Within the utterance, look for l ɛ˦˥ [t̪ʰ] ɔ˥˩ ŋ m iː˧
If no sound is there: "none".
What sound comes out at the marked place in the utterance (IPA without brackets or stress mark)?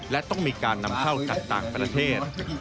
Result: t̪